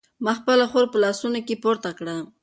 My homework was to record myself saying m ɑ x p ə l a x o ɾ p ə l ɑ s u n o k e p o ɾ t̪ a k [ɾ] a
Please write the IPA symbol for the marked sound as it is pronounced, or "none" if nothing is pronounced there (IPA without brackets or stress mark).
ɽ